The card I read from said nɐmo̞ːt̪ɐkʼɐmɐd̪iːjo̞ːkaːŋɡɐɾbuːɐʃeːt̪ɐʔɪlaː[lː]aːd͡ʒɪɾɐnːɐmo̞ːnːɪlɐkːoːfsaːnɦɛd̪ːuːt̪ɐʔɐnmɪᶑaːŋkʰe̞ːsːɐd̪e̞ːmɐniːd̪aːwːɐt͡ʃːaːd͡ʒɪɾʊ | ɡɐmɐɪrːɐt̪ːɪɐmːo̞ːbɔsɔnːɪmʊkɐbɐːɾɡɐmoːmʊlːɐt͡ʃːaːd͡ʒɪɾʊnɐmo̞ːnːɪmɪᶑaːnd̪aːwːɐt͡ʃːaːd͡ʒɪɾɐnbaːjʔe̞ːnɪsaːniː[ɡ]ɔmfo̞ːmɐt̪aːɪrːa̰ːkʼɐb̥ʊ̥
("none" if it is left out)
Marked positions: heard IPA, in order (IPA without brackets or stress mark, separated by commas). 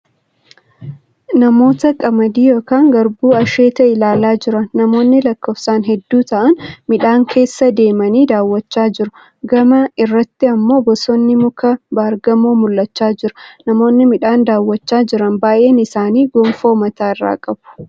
l, ɡ